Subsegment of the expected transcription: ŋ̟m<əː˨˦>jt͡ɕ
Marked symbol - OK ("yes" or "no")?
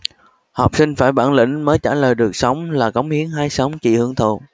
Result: yes